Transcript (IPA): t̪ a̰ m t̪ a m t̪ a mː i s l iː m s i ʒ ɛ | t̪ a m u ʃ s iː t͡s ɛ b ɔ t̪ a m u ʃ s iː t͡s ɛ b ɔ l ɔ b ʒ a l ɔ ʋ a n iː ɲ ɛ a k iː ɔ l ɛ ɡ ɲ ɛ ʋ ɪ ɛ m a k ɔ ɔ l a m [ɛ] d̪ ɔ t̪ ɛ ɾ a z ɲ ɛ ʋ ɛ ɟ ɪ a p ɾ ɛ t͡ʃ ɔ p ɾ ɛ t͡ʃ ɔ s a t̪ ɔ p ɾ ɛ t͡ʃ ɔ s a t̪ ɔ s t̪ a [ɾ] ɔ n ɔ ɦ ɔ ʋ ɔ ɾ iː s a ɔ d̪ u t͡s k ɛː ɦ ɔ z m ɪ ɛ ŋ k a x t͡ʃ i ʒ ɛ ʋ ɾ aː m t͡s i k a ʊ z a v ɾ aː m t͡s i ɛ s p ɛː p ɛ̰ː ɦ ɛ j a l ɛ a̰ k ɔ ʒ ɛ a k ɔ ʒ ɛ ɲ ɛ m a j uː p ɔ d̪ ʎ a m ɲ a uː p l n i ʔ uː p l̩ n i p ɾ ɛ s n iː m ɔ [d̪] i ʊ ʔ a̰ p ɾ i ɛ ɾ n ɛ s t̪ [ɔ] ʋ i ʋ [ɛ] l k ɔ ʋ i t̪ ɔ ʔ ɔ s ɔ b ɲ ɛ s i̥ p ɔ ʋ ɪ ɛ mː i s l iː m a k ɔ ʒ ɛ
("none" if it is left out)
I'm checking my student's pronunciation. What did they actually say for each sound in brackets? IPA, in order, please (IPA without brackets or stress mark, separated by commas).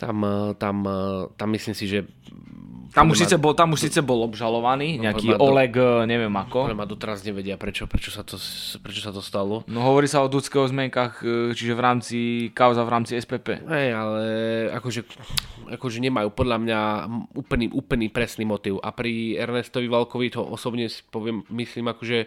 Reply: a, l, t̪, ɔ, a